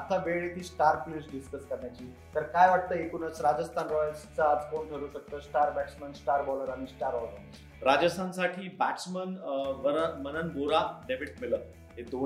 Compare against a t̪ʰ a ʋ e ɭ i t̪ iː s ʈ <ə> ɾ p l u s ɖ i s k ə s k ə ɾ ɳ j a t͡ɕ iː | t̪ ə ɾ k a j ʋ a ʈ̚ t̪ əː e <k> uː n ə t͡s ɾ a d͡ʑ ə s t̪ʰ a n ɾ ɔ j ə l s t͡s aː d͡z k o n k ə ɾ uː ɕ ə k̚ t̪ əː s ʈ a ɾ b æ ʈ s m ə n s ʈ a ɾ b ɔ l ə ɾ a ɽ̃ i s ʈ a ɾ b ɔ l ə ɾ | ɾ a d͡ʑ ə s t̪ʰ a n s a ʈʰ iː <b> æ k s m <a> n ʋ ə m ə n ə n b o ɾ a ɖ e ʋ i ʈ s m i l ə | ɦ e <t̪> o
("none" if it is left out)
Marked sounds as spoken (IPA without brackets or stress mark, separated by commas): a, k, b, ə, d̪